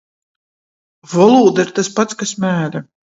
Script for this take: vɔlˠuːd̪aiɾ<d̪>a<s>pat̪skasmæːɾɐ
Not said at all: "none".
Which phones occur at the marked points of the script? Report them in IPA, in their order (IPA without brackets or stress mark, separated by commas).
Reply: t̪, s